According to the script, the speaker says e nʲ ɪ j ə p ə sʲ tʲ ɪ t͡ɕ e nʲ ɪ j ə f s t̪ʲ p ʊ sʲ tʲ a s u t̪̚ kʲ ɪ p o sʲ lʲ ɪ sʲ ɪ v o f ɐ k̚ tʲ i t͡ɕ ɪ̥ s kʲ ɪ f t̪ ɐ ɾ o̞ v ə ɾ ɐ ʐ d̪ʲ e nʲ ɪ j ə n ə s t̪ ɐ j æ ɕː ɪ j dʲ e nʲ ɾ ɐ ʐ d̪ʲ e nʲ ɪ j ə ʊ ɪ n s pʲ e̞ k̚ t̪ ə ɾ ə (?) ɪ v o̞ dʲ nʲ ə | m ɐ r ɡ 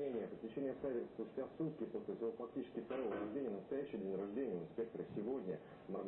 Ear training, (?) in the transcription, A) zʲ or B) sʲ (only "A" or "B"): B